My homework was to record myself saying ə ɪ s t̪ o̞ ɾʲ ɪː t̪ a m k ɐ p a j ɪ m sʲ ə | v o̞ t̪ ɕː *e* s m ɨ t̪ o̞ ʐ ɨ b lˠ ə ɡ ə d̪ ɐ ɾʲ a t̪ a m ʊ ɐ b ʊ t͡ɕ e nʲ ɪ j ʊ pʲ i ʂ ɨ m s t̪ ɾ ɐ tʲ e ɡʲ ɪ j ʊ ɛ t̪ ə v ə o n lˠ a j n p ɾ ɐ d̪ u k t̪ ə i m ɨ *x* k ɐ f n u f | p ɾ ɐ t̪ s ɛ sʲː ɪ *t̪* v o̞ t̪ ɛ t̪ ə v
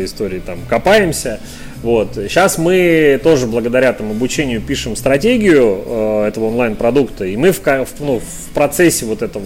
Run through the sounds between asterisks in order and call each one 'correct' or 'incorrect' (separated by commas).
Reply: incorrect, incorrect, incorrect